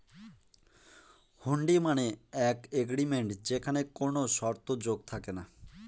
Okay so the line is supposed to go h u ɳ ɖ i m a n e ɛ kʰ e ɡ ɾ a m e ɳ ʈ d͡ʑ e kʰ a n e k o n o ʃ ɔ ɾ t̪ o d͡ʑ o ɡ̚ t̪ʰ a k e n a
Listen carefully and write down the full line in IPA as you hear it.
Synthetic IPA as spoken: h u ɳ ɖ i m a n e ɛ k e ɡ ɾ i m e ɳ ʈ d͡ʑ e kʰ a n e k o n o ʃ ɔ ɾ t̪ o d͡ʑ o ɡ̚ t̪ʰ a k e n a